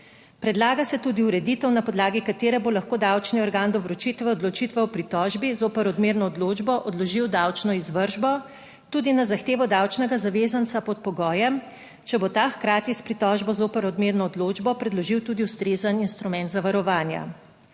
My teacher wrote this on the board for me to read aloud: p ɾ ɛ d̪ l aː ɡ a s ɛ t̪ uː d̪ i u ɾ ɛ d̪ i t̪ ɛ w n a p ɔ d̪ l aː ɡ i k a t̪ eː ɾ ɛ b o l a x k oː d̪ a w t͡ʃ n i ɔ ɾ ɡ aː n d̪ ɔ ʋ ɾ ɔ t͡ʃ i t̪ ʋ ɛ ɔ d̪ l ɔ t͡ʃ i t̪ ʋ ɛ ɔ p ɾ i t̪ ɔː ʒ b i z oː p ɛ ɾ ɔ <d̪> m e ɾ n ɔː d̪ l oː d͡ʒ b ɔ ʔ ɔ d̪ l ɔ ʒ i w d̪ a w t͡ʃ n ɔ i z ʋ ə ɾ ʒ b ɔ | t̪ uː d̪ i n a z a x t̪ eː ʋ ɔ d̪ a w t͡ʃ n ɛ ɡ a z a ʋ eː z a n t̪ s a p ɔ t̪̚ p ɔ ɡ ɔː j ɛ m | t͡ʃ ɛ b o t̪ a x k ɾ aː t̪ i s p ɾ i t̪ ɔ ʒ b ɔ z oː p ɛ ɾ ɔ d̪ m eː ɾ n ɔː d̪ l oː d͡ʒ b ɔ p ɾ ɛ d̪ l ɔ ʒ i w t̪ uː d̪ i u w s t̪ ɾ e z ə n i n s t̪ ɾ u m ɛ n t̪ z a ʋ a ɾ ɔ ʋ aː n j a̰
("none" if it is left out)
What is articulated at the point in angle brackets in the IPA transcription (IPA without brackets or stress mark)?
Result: d̪